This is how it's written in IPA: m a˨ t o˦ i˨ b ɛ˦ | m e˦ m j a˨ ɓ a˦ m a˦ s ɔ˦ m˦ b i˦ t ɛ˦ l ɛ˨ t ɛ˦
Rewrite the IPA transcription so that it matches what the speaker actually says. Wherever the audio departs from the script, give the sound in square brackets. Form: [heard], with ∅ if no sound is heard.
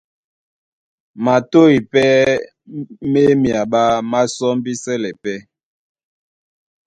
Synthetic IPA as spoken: m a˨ t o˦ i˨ [p] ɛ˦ | m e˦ m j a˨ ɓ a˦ m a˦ s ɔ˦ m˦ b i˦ [s] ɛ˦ l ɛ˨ [p] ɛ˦